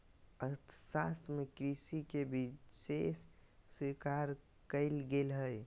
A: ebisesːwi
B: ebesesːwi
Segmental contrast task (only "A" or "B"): A